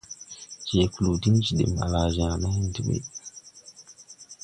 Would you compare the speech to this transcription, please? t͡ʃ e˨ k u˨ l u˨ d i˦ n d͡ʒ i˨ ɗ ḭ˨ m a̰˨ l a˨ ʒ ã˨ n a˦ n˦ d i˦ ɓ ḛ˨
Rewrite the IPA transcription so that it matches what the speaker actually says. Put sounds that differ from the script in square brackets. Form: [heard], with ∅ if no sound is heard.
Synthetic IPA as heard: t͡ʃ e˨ k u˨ l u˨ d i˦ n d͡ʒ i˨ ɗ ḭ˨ m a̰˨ l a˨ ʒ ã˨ n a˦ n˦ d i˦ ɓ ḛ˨